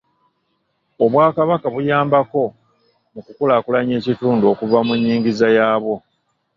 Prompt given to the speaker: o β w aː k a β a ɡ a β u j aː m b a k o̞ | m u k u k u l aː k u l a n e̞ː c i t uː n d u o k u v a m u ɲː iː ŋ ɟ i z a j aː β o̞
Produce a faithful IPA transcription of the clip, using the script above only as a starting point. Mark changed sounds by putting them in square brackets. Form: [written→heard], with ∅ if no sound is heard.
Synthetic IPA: o β w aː k a β a [ɡ→k] a β u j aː m b a k o̞ | m u k u k u l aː k u l a [n→ɲ] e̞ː c i t uː n d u o k u v a m u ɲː iː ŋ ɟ i z a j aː β o̞